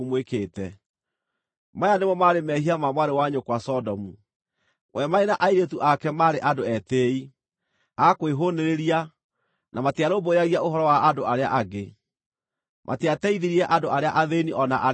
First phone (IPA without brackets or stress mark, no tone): m